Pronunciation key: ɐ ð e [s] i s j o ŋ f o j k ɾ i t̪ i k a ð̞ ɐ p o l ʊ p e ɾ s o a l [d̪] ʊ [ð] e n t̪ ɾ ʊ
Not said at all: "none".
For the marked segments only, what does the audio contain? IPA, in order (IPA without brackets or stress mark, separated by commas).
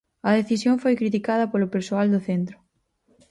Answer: θ, d̪, θ